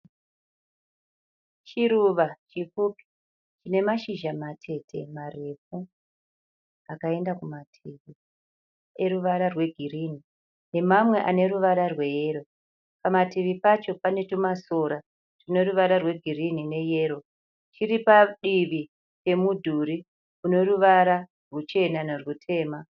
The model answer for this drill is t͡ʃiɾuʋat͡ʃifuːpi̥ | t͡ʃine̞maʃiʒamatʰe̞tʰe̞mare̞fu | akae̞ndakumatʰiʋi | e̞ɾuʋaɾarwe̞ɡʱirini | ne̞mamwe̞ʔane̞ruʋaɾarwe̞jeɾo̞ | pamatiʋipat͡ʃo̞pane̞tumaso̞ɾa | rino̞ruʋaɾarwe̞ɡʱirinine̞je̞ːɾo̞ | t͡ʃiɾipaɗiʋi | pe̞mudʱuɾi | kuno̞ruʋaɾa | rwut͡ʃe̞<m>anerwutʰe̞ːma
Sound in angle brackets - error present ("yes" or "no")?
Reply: yes